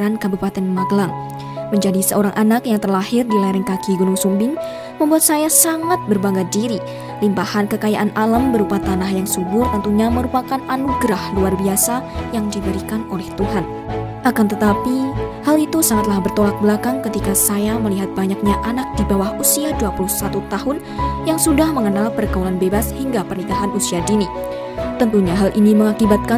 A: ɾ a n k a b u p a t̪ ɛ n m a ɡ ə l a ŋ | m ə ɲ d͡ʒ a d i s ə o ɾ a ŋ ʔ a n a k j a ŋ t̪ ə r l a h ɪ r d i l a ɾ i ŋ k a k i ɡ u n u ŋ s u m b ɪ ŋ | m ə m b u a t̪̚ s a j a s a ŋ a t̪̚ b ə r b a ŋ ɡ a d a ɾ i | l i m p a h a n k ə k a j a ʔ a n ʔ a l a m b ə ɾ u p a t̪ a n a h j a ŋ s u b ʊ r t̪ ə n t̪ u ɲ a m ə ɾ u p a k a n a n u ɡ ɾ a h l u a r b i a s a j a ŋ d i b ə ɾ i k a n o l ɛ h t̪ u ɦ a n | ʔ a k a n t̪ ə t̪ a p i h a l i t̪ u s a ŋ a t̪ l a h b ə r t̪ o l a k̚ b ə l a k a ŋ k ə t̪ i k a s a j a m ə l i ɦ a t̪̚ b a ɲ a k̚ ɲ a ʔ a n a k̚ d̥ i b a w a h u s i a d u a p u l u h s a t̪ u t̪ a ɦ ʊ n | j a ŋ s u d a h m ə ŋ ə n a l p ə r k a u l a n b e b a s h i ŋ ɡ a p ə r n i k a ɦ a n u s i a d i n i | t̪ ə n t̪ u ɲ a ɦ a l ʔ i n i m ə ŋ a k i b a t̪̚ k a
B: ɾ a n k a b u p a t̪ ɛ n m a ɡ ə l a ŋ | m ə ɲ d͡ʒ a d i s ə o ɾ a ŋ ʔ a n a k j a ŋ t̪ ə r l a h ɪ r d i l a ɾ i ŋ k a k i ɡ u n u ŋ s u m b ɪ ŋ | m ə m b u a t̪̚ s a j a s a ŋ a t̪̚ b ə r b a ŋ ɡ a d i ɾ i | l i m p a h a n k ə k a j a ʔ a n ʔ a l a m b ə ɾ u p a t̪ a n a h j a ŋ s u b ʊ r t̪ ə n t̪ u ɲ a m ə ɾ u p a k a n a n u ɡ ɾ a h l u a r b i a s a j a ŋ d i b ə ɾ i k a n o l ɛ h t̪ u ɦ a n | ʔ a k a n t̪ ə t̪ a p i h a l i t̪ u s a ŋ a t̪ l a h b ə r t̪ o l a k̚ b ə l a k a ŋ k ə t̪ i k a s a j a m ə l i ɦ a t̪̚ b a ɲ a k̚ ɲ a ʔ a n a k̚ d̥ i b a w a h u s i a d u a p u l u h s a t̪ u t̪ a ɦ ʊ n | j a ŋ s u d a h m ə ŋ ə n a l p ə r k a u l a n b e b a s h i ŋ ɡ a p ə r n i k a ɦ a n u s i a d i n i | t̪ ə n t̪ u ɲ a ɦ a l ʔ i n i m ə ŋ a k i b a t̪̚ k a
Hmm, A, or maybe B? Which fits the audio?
B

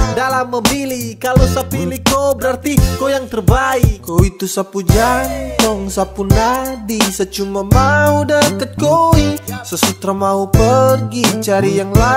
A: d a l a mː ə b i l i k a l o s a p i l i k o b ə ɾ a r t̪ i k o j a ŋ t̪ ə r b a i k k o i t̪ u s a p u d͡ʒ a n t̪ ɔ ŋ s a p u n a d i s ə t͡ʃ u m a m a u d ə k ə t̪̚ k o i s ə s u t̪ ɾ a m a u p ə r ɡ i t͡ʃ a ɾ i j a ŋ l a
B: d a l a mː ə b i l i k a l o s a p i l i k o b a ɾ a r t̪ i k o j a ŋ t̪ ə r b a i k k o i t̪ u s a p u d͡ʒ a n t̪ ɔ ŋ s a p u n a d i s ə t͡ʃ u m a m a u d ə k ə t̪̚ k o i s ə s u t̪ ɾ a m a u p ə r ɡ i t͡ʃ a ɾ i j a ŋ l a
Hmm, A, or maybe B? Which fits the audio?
A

